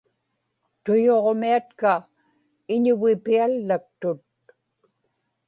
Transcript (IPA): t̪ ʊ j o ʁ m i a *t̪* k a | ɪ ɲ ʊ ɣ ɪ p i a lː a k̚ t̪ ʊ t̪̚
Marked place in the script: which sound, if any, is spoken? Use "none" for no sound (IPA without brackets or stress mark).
t̪